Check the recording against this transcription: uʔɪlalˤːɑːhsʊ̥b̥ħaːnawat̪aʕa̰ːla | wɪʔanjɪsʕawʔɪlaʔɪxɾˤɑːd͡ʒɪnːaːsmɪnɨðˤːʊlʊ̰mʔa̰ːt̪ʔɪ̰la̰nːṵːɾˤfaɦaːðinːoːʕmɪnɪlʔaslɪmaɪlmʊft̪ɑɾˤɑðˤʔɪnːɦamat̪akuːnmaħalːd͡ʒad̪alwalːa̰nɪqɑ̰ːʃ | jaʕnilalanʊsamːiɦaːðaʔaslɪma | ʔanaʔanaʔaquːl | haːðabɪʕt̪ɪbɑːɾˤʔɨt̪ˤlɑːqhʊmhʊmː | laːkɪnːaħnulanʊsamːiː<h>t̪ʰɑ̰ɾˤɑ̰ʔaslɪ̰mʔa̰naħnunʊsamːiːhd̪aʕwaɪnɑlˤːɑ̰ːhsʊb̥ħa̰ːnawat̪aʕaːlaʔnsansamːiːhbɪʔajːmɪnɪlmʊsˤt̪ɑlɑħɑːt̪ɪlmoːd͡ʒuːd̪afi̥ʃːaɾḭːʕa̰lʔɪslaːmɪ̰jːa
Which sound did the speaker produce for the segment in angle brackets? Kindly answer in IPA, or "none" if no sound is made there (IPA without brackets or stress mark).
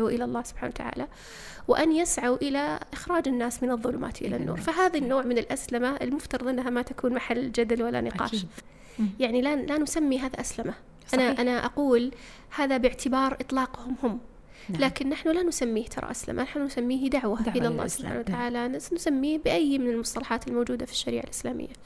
h